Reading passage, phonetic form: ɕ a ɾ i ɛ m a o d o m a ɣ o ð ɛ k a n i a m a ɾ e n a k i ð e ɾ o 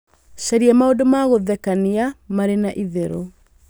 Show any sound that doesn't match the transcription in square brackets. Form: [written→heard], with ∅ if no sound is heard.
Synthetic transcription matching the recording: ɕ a ɾ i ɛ m a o d o m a ɣ o ð ɛ k a n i a m a ɾ e n a [k→ʔ] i ð e ɾ o